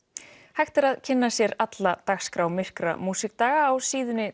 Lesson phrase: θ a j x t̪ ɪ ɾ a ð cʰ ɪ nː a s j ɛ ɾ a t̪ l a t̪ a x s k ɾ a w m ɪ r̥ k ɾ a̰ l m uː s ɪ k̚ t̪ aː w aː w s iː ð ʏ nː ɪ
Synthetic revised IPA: h a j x t̪ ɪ ɾ a ð cʰ ɪ nː a s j ɛ ɾ a t̪ l a t̪ a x s k ɾ a w m ɪ r̥ k ɾ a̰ m uː s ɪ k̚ t̪ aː ɣ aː w s iː ð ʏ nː ɪ